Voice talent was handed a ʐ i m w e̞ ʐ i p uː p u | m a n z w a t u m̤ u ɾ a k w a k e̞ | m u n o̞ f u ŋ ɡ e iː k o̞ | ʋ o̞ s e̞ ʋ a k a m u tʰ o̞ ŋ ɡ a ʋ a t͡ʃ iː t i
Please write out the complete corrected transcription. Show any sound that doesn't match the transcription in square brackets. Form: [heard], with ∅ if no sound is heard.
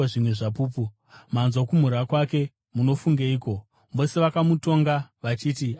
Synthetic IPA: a ʐ i m w e̞ ʐ [a] p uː p u | m a n z w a [k] u m̤ u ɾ a k w a k e̞ | m u n o̞ f u ŋ ɡ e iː k o̞ | ʋ o̞ s e̞ ʋ a k a m u [t] o̞ ŋ ɡ a ʋ a t͡ʃ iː t i